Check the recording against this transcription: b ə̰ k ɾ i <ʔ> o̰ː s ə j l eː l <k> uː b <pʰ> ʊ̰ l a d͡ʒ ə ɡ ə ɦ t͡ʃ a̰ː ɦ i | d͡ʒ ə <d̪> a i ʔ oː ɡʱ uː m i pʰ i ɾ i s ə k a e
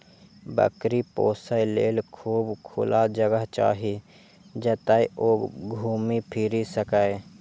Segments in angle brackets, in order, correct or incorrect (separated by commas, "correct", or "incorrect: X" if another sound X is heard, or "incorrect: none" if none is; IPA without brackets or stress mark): incorrect: p, incorrect: kʰ, incorrect: kʰ, incorrect: t̪